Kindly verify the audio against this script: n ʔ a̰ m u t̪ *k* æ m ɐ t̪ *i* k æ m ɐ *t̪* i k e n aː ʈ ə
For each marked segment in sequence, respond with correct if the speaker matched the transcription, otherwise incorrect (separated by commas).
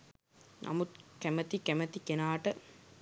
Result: correct, correct, correct